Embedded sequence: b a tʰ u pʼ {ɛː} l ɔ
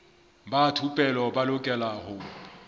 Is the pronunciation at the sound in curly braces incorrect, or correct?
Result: incorrect